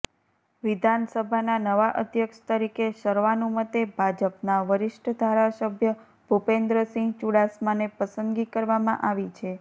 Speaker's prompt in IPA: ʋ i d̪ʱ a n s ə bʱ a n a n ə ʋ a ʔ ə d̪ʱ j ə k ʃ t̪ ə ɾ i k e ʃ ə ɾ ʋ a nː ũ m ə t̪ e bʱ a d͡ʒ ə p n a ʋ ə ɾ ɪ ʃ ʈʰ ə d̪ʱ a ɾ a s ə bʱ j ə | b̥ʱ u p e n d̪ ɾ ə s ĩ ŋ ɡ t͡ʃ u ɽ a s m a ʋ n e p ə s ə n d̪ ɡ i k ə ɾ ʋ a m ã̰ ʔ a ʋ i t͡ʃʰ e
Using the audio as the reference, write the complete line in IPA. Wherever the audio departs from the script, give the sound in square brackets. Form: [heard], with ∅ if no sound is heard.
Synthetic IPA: ʋ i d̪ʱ a n s ə bʱ a n a n ə ʋ a ʔ ə d̪ʱ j ə k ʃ t̪ ə ɾ i k e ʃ ə ɾ ʋ a [n] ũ m ə t̪ e bʱ a d͡ʒ ə p n a ʋ ə ɾ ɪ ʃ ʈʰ ə d̪ʱ a ɾ a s ə bʱ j ə | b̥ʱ u p e n d̪ ɾ ə s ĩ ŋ ɡ t͡ʃ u ɽ a s m a [∅] n e p ə s ə n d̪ ɡ i k ə ɾ ʋ a m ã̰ ʔ a ʋ i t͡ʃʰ e